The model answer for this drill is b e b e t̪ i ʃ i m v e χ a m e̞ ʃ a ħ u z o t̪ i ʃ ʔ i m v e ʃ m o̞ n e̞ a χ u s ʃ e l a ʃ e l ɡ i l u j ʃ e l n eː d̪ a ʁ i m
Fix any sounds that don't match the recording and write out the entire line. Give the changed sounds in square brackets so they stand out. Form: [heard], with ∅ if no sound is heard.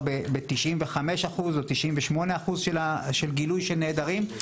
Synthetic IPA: b e b e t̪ i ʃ i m v e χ a m e̞ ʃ a [χ] u z o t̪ i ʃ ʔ i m v e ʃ m o̞ n e̞ a χ u [z] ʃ e l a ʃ e l ɡ i l u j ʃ e l n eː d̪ a ʁ i m